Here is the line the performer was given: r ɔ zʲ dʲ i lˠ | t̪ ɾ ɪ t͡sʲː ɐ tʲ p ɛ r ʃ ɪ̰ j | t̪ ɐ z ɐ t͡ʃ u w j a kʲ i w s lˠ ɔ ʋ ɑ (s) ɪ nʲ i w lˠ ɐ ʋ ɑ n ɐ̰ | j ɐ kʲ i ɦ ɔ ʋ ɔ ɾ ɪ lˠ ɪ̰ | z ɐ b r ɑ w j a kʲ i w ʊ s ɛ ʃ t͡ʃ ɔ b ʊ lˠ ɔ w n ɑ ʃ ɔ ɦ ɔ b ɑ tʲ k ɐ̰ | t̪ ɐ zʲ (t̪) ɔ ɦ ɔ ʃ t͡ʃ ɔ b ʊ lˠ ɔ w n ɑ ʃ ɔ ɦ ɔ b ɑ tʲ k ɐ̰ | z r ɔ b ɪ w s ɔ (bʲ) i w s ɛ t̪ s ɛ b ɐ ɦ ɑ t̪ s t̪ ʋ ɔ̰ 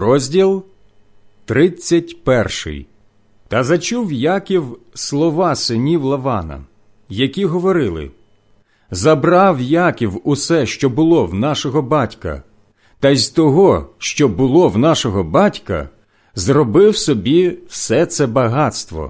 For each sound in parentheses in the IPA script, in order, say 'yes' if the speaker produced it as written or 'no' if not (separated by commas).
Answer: yes, yes, yes